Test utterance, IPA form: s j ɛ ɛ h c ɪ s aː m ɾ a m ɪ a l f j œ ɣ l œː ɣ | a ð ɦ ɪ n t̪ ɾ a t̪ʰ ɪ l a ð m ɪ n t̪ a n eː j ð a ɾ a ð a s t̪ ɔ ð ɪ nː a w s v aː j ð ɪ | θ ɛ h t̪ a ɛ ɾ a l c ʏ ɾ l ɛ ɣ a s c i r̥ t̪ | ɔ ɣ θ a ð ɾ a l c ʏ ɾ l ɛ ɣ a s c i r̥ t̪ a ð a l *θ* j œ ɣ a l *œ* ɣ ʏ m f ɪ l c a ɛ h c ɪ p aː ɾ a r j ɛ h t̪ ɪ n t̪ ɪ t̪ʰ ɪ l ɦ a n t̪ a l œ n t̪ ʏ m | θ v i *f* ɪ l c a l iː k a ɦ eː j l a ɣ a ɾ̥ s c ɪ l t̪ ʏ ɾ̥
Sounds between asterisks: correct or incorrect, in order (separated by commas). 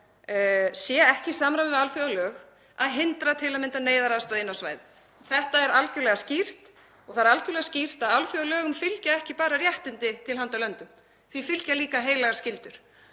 incorrect, incorrect, correct